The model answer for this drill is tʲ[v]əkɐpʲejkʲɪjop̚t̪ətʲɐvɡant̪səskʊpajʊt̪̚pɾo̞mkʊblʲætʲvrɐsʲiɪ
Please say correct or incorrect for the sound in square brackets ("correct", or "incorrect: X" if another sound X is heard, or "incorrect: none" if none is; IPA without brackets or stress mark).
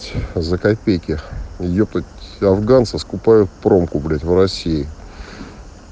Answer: incorrect: z